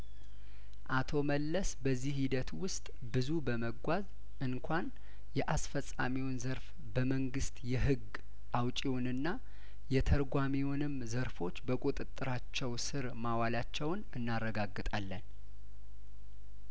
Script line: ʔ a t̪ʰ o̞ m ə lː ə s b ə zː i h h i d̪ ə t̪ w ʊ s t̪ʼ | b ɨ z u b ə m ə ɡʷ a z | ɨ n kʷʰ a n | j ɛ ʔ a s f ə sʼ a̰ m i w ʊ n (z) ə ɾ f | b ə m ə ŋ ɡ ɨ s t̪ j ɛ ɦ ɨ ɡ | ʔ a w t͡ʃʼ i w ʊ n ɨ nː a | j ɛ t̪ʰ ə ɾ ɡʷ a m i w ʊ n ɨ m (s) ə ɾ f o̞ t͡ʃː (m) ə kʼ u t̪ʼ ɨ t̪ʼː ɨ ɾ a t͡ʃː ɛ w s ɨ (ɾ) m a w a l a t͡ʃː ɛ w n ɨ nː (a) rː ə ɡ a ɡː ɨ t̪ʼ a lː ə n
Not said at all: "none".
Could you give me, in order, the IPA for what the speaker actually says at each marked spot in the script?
z, z, b, ɾ, a

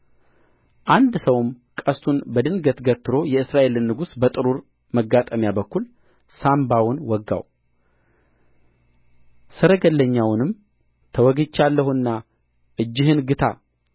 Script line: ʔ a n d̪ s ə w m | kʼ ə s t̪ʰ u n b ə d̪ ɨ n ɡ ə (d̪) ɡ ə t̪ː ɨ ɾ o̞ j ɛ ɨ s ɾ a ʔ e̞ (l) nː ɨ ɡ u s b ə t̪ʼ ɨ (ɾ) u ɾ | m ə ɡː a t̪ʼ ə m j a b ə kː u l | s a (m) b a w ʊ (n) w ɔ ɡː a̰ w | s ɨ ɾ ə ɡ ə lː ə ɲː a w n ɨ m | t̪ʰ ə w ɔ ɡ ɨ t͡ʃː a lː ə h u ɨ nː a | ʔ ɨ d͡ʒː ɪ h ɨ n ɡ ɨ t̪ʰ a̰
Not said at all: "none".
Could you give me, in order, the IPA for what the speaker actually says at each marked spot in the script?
t̪, l, ɾ, m, n

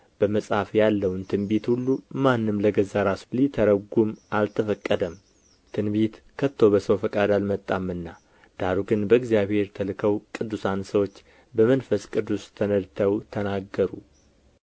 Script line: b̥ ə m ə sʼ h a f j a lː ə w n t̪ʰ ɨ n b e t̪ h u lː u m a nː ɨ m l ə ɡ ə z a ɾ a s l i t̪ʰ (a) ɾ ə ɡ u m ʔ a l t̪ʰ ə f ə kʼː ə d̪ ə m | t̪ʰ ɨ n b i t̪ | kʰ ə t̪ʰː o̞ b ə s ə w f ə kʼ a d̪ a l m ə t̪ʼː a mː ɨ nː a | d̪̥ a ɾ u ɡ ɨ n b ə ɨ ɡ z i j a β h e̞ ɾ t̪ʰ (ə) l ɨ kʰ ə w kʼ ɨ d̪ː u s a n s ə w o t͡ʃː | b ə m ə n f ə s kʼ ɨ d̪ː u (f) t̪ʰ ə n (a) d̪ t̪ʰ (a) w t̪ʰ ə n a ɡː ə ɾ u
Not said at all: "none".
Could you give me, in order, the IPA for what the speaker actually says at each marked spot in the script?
ə, ə, s, ə, ə

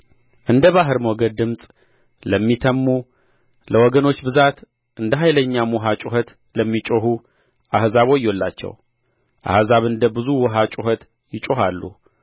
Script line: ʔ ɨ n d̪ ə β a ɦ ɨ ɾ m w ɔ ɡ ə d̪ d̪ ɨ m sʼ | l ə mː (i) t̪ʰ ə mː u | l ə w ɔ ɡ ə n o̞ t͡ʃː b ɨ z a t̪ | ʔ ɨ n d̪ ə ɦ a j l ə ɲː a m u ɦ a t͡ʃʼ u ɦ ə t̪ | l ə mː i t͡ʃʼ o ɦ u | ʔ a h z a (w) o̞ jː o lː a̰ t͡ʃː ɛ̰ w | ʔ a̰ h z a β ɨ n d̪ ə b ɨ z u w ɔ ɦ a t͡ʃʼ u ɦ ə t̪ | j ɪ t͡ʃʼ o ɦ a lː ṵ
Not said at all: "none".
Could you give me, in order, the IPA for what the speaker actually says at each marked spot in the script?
i, β

